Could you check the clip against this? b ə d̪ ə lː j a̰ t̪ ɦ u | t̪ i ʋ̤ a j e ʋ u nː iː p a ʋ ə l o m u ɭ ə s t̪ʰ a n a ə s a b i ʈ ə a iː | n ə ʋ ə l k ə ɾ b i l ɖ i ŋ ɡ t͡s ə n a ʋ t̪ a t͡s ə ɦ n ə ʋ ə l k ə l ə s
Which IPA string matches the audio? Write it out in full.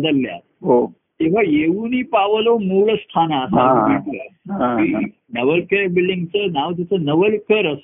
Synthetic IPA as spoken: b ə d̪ ə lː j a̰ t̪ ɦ o | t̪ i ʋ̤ a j e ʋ u n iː p a ʋ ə l o m u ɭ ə s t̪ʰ a n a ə s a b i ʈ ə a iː | n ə ʋ ə l k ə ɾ b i l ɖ i ŋ ɡ t͡s ə n a ʋ t̪ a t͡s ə n ə ʋ ə l k ə ɾ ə s